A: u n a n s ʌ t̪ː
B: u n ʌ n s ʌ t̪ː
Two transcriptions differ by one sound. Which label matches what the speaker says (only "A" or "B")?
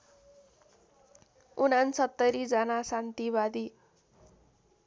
A